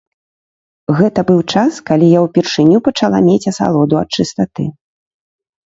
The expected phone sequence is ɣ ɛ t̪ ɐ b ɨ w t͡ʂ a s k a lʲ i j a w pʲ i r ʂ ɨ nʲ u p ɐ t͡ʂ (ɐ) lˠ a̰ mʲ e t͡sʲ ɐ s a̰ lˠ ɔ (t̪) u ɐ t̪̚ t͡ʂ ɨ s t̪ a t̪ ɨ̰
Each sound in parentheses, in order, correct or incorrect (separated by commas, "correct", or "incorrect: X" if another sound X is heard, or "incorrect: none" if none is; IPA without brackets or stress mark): incorrect: a, incorrect: d̪